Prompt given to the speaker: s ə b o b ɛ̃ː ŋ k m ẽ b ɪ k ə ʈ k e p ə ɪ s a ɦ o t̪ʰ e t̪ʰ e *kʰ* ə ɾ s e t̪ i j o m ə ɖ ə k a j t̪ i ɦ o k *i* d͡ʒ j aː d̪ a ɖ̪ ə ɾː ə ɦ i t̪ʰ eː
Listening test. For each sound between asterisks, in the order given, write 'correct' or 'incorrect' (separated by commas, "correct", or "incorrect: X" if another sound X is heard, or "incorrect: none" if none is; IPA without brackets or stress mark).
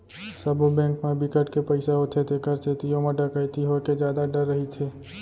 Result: incorrect: k, incorrect: e